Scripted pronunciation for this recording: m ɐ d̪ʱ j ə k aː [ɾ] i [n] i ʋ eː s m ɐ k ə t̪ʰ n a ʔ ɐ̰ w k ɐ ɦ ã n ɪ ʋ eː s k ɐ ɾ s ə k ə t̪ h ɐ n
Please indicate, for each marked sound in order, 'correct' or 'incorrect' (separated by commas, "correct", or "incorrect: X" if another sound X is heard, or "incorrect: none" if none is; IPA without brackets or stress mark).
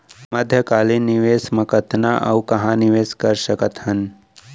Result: incorrect: l, correct